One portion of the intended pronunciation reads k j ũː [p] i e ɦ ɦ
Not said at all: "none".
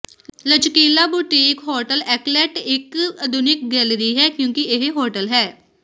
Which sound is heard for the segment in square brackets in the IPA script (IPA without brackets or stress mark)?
k